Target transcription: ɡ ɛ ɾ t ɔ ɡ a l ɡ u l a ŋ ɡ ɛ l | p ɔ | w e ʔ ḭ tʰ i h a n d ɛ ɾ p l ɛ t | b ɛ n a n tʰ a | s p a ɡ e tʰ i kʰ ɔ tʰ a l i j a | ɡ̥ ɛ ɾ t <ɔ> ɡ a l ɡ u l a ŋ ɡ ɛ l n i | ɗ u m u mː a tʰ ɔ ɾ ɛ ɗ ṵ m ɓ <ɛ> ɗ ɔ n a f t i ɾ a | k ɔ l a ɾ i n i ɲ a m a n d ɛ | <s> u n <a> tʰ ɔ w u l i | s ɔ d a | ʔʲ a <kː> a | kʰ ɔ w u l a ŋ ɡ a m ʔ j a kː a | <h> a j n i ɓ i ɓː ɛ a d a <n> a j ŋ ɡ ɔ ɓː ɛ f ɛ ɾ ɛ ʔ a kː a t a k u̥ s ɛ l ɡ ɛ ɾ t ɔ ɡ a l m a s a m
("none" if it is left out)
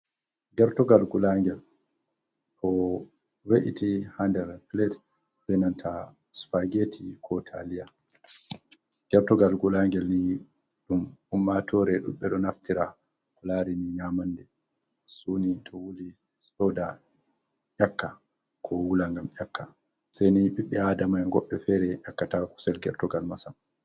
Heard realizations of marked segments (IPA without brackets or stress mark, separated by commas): ɔ, ɛ, s, i, kː, s, m